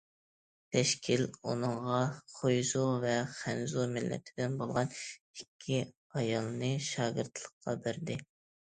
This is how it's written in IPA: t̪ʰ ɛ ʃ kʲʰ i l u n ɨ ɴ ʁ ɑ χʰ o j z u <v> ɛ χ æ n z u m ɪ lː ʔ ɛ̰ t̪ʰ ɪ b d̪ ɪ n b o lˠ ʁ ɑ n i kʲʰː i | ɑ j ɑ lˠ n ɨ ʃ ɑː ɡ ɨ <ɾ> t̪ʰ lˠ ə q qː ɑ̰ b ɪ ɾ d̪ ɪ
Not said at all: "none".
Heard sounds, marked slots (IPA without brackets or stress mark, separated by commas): v, ɾ